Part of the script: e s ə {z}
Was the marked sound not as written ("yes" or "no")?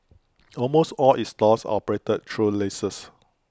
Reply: yes